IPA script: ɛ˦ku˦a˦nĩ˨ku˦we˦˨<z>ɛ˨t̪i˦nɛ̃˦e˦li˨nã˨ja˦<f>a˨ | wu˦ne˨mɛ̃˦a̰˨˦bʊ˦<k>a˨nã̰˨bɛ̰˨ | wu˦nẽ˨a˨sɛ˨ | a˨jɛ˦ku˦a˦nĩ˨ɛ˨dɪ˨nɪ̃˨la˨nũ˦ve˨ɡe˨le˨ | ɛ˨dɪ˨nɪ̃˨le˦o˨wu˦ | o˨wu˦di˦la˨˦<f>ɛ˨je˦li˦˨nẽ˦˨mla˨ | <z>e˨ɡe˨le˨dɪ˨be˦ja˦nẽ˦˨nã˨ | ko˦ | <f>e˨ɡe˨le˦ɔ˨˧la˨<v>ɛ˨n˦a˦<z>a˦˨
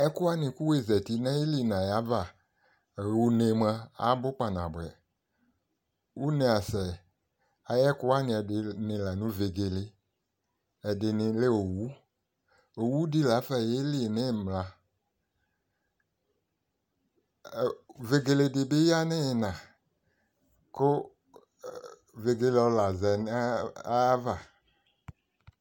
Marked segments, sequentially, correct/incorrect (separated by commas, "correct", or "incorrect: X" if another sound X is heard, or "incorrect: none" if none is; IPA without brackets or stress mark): correct, incorrect: v, incorrect: k͡p, correct, incorrect: v, incorrect: v, incorrect: z, incorrect: v